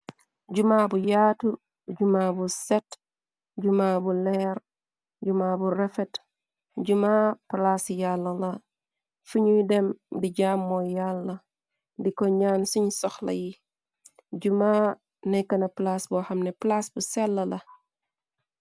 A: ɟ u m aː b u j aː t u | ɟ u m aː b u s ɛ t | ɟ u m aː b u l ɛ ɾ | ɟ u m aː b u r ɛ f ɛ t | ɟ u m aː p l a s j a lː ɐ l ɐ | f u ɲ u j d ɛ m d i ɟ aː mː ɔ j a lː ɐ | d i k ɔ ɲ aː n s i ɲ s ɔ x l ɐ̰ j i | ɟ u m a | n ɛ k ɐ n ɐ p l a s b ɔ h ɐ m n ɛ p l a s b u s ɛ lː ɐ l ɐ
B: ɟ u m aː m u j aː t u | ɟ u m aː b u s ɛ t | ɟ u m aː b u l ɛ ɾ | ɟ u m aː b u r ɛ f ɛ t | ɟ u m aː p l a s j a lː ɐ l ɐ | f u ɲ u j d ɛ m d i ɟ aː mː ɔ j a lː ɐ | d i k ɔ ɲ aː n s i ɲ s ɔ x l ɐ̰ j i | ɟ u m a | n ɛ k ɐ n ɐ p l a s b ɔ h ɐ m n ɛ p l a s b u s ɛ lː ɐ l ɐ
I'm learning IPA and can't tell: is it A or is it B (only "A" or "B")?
A